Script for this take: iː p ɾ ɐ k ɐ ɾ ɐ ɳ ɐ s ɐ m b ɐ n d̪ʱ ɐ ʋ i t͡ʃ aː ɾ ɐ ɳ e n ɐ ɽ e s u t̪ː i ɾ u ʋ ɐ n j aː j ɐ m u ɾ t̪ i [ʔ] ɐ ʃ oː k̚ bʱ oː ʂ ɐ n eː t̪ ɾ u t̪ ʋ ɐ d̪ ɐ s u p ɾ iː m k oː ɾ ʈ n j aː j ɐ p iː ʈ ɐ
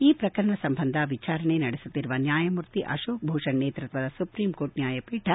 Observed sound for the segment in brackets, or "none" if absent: ʔ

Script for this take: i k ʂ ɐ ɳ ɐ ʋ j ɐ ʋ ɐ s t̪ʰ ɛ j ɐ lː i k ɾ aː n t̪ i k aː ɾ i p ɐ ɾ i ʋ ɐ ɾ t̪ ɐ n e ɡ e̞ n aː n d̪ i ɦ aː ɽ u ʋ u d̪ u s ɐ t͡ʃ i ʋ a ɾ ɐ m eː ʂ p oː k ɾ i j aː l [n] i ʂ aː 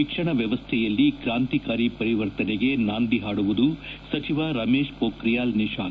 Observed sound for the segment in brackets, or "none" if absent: n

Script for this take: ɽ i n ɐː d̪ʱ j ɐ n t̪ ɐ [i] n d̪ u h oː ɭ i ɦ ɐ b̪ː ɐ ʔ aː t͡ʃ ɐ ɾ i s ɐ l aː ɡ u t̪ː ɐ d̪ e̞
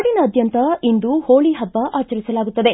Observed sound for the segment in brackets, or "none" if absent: i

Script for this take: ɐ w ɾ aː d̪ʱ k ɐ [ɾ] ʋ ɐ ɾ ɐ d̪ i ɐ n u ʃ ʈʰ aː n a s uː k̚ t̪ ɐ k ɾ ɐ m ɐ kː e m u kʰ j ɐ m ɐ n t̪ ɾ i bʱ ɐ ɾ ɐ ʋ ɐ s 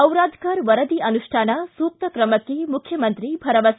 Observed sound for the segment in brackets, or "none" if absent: ɾ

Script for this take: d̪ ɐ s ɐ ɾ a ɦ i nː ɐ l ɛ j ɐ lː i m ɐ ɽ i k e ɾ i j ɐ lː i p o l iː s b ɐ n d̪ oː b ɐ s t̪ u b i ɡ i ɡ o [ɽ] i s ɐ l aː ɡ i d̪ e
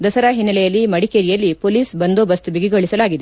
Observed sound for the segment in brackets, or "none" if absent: ɭ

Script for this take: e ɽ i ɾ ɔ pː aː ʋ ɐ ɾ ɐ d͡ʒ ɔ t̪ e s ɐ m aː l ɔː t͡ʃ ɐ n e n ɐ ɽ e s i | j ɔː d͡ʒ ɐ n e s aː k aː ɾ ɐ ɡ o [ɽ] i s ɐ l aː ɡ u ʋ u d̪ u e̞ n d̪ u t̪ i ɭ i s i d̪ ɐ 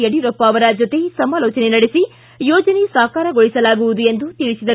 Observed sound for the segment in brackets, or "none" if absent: ɭ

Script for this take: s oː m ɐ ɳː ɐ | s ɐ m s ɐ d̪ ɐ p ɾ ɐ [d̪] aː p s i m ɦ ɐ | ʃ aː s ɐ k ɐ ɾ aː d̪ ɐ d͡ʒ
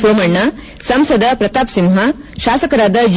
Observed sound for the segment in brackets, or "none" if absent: t̪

